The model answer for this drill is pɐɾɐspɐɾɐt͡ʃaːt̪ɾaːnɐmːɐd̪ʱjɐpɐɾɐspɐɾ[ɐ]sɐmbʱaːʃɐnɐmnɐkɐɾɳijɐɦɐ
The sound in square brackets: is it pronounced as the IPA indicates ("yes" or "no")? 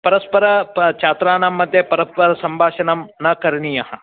yes